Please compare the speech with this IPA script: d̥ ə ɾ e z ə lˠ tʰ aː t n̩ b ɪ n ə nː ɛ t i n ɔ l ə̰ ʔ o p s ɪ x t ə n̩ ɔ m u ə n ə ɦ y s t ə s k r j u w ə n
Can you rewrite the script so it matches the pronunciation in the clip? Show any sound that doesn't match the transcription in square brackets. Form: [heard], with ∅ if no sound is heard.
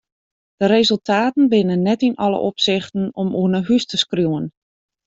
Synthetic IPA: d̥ ə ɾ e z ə lˠ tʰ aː t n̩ b ɪ n ə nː ɛ t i n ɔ l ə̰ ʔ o p s ɪ x t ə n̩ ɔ m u ə n ə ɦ y s t ə s k r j u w ə n